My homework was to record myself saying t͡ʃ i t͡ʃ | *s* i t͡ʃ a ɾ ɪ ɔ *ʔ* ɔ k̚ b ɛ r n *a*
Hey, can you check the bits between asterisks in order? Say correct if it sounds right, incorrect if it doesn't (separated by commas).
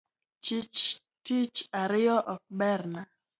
incorrect, correct, correct